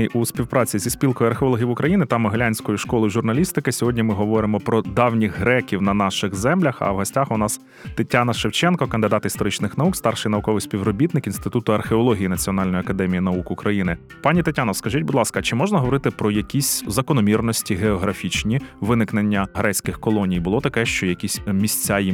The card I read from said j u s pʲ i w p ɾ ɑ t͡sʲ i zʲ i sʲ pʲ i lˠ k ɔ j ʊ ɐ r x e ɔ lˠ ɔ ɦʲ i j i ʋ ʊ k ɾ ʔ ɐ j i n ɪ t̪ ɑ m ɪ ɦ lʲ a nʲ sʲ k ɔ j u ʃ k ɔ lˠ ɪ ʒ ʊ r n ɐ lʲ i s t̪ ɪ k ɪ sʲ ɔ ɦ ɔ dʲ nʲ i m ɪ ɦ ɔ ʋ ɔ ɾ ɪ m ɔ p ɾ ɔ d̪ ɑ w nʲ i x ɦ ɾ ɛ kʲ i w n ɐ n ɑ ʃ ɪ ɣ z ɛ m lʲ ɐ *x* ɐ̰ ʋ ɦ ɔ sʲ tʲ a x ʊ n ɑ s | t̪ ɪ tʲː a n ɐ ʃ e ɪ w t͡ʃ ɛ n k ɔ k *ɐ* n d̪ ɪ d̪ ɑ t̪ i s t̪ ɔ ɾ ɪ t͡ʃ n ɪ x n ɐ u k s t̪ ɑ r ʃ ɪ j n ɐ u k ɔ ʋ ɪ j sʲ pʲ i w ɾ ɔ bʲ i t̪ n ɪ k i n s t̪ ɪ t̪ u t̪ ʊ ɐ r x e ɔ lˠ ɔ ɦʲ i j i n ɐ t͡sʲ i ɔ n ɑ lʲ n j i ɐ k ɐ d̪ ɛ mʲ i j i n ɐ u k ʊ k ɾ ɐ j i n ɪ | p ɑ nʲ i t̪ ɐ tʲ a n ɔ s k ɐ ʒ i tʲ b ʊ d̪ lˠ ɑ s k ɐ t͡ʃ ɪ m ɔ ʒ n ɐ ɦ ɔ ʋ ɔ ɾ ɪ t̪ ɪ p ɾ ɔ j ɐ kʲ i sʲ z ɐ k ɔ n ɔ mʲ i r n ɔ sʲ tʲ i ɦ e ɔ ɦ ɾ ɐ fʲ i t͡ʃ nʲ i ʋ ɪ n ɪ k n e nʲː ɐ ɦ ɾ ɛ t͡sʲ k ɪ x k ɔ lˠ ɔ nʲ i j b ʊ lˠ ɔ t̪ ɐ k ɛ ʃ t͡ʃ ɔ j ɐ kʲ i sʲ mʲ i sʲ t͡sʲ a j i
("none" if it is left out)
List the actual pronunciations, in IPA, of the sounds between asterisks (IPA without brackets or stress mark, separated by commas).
x, ɐ